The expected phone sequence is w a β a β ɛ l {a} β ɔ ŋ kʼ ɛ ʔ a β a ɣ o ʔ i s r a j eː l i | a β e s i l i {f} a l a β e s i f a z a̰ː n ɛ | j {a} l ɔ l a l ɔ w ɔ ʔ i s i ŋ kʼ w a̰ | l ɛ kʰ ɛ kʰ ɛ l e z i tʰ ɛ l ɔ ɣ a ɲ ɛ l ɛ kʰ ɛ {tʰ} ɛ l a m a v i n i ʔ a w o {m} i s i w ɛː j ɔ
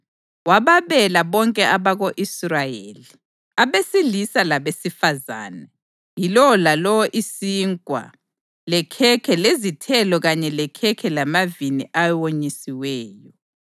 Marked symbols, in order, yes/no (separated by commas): yes, no, no, no, no